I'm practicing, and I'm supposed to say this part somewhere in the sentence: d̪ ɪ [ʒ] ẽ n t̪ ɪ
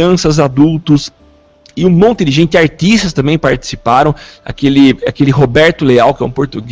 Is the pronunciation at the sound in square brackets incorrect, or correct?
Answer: correct